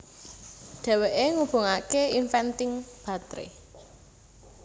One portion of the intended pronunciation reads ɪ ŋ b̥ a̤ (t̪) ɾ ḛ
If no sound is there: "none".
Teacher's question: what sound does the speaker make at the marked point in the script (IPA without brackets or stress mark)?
t̪